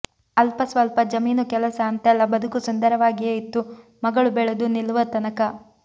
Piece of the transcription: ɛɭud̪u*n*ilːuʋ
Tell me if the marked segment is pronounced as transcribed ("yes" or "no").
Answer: yes